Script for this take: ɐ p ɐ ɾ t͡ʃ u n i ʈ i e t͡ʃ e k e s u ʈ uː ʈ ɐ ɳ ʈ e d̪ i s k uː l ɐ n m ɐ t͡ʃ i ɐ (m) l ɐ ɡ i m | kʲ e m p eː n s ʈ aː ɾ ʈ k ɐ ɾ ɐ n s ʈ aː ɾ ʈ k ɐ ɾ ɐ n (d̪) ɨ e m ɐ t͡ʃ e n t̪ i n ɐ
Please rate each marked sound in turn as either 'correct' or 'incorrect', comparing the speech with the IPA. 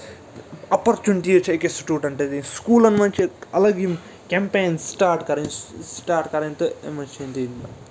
incorrect: none, incorrect: t̪

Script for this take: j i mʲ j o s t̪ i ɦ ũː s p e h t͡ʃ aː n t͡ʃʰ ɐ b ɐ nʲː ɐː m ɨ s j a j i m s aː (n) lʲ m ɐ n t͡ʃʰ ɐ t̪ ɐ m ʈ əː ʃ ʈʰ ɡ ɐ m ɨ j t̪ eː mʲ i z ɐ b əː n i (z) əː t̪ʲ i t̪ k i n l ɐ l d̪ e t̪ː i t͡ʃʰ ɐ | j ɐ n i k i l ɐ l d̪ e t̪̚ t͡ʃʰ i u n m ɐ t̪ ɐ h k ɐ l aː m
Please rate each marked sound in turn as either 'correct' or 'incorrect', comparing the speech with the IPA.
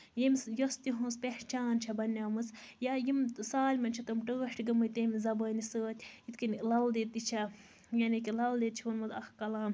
incorrect: none, incorrect: s

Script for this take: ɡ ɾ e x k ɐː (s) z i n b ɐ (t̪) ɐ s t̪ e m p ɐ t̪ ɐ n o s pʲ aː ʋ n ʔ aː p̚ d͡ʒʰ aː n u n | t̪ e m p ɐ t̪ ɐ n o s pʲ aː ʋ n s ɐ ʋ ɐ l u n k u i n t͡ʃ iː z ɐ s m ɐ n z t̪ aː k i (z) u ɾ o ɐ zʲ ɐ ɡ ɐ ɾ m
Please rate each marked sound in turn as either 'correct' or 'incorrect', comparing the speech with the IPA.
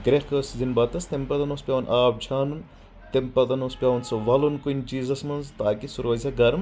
correct, correct, incorrect: s

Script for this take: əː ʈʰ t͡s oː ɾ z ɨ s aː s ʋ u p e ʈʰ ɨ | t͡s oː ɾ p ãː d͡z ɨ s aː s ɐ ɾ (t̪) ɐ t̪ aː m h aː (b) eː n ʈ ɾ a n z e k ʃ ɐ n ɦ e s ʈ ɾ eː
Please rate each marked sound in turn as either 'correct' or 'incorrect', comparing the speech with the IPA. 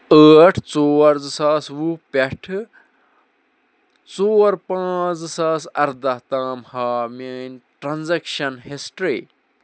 incorrect: d̪, incorrect: m

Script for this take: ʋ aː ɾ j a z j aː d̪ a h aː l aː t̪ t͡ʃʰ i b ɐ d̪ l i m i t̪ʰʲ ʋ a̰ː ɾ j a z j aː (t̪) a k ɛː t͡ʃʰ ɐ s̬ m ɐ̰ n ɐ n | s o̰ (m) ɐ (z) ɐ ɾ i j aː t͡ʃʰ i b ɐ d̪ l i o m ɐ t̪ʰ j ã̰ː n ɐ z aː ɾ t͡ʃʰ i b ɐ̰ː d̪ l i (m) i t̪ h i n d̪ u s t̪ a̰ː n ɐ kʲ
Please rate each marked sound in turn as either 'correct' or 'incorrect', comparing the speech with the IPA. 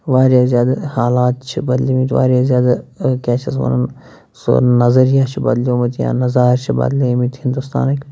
incorrect: d̪, incorrect: n, correct, correct

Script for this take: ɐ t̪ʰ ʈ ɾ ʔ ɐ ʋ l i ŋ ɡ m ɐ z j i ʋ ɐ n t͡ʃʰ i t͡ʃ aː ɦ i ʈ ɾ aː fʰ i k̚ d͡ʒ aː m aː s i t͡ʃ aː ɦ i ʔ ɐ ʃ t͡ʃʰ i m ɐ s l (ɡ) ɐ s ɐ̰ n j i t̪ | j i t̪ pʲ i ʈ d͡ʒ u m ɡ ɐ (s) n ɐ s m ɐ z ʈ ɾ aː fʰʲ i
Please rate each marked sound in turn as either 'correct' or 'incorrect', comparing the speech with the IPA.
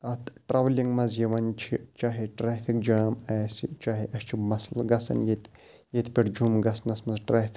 correct, correct

